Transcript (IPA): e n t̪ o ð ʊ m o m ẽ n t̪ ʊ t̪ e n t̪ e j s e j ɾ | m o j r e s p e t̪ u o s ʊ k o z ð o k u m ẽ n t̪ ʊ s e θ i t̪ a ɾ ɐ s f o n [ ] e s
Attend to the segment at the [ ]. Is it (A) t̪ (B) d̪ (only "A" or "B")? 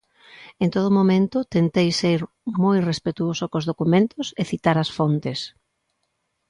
A